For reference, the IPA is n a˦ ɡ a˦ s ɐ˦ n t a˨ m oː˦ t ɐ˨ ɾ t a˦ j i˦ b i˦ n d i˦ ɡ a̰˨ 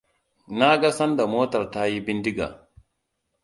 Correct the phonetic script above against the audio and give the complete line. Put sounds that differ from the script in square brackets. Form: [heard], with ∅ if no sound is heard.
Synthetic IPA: n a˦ ɡ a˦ s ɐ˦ n [d] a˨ m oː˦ t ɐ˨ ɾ t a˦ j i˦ b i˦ n d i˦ ɡ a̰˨